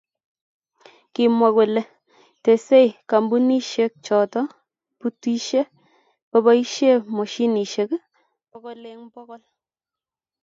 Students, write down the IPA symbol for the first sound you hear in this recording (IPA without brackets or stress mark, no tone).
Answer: k